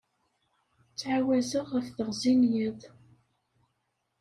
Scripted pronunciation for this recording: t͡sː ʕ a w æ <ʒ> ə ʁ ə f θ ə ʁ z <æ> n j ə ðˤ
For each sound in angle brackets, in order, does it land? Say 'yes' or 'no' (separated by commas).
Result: no, no